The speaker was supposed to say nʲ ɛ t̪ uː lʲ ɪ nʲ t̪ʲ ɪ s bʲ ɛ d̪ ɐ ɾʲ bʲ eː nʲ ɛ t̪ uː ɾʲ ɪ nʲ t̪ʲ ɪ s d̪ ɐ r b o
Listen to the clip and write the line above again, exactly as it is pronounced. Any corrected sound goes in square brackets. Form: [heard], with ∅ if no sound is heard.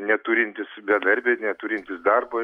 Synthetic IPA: nʲ ɛ t̪ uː [ɾʲ] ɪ nʲ t̪ʲ ɪ s bʲ ɛ d̪ ɐ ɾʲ bʲ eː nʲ ɛ t̪ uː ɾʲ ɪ nʲ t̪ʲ ɪ s d̪ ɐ r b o

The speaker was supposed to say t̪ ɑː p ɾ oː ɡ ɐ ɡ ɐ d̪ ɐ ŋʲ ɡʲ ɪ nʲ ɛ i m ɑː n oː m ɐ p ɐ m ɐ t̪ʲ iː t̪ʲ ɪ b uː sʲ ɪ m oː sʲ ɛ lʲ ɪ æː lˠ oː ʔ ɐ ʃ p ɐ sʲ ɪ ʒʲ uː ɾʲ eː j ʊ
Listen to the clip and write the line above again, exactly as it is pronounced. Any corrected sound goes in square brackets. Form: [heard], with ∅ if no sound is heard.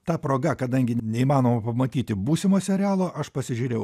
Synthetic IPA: t̪ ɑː p ɾ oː ɡ ɐ [k] ɐ d̪ ɐ ŋʲ ɡʲ ɪ nʲ ɛ i m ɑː n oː m ɐ p ɐ m ɐ t̪ʲ iː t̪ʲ ɪ b uː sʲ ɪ m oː sʲ ɛ [ɾʲ] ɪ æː lˠ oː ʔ ɐ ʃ p ɐ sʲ ɪ ʒʲ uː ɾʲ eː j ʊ

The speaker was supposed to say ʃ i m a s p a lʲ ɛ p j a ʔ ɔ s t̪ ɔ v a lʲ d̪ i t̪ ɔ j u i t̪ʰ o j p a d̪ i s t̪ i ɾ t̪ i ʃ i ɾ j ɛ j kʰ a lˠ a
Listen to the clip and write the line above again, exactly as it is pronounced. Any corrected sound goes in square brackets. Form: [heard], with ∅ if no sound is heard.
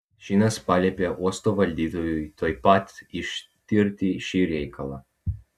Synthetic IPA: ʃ i [n] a s p a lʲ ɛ p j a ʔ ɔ s t̪ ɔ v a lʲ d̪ i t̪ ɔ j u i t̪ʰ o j p a [t̪] i [ʃ] t̪ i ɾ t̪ i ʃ i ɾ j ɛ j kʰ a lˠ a

